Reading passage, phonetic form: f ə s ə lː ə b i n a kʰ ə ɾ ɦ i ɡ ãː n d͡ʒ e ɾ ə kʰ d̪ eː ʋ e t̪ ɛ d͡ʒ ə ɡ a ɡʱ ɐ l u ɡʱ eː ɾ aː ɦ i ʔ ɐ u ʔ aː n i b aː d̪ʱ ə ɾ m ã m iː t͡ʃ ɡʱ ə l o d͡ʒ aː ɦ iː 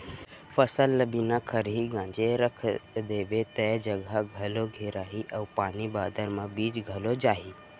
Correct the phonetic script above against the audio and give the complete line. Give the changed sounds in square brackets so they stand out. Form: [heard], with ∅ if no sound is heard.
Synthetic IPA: f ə s ə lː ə b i n a kʰ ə ɾ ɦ i ɡ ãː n d͡ʒ e ɾ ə kʰ d̪ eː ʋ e t̪ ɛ d͡ʒ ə ɡ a ɡʱ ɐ l [o] ɡʱ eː ɾ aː ɦ i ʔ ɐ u [p] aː n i b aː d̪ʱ ə ɾ m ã [b] iː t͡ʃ ɡʱ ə l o d͡ʒ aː ɦ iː